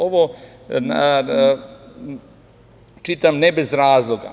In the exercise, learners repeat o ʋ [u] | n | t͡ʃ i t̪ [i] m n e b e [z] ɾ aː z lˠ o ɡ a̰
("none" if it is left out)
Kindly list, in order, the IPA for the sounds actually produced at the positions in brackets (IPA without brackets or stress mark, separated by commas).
o, a, z